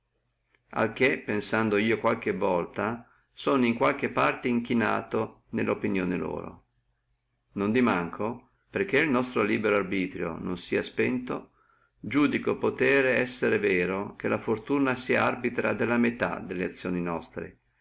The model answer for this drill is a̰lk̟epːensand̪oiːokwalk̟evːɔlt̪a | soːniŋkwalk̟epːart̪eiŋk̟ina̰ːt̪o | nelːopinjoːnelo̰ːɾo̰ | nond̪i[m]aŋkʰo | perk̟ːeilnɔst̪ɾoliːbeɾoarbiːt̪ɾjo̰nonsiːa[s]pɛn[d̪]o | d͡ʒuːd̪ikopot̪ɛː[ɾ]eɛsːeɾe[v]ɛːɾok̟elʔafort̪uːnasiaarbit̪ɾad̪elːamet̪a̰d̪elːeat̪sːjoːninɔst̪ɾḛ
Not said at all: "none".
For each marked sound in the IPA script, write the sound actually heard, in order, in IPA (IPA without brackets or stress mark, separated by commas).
m, s, t̪, ɾ, v